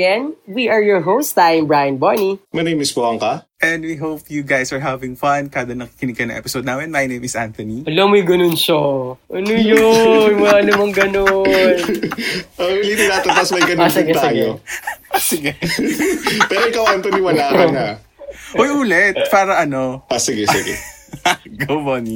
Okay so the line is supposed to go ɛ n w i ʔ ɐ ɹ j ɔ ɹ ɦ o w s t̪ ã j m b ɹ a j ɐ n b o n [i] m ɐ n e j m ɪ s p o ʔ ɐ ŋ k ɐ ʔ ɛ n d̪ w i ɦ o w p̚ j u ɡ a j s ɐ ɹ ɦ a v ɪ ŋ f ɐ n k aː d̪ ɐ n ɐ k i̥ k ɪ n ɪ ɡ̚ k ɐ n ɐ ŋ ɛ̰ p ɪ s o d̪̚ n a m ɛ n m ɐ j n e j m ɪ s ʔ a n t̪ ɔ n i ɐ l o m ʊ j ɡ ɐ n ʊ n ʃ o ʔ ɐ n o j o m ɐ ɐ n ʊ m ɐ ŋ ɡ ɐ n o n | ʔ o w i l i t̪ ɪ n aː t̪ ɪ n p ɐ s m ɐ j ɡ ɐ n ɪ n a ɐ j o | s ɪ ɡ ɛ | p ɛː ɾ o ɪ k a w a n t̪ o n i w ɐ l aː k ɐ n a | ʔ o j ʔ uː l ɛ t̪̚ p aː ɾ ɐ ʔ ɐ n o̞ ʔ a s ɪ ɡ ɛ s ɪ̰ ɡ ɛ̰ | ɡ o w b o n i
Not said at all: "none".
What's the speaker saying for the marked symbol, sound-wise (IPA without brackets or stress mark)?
i